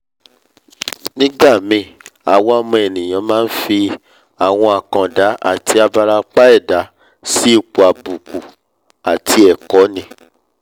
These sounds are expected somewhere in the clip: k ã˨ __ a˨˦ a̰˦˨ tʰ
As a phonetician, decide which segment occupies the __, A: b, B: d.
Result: B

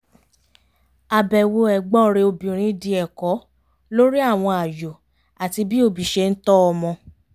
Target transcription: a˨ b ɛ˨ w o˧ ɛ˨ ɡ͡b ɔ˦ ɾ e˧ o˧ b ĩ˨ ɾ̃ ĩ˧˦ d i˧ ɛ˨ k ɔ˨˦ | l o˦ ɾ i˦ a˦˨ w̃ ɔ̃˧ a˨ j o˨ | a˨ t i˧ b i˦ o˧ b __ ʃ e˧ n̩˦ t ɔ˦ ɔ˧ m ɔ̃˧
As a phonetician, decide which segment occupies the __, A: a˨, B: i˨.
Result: B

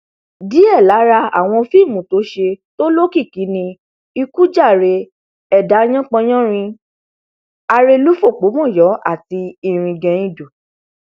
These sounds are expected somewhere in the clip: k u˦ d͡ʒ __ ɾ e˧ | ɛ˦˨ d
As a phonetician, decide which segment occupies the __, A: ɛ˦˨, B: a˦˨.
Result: B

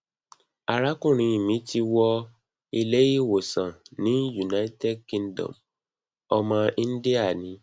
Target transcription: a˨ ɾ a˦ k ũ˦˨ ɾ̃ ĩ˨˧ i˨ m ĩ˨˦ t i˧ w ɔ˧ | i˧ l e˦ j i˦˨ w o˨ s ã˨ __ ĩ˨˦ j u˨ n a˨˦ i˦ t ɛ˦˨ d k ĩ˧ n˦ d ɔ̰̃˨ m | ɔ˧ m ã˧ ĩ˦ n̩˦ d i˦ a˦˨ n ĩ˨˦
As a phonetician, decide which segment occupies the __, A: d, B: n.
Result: B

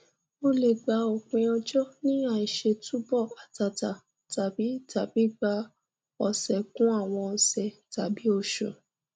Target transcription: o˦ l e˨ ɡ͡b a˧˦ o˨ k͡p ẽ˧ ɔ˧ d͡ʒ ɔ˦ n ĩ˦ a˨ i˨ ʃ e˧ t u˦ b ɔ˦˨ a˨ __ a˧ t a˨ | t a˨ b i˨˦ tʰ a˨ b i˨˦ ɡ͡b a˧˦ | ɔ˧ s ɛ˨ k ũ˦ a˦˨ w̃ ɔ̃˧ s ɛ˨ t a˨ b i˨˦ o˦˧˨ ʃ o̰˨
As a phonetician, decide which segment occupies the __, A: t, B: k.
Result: A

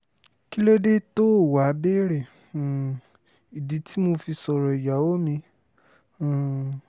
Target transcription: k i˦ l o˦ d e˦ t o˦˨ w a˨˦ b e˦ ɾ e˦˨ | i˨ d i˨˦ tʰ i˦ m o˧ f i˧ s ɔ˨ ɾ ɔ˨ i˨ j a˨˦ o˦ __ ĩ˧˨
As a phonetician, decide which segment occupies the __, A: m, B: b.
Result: A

